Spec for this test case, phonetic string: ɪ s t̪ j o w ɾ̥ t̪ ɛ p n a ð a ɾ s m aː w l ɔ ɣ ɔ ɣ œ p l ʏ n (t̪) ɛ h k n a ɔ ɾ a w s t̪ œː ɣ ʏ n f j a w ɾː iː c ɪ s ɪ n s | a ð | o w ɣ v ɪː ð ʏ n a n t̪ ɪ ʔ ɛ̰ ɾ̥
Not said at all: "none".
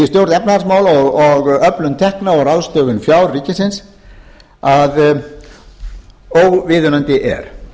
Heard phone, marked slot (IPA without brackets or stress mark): t̪ʰ